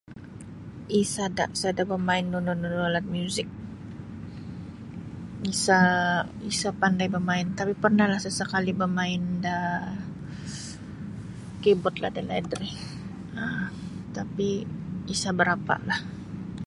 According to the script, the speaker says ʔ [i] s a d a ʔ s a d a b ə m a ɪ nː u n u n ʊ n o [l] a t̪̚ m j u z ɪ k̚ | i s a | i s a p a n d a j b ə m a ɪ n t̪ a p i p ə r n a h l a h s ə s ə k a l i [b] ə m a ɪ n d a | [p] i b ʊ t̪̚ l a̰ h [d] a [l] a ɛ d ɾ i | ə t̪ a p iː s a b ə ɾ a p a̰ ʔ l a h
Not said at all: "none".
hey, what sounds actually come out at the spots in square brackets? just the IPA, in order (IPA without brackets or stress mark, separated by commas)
i, l, b, k, d, l